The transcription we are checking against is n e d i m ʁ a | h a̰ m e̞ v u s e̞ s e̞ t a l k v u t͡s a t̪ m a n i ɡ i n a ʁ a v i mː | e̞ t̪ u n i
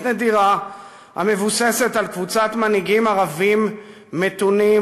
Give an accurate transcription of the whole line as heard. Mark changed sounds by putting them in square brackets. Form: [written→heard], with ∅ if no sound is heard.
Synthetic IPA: n e d i [m→∅] ʁ a | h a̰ m e̞ v u s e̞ s e̞ t a l k v u t͡s a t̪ m a n i ɡ i [n→m] a ʁ a v i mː | e̞ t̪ u n i